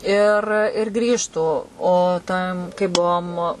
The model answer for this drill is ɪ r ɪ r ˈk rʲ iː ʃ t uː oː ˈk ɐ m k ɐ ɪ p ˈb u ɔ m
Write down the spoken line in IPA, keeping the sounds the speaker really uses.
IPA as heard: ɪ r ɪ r ˈɡ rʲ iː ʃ t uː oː ˈt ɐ m k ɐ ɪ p ˈb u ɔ m